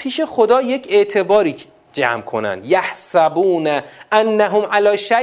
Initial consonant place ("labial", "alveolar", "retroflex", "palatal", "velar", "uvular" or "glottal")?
labial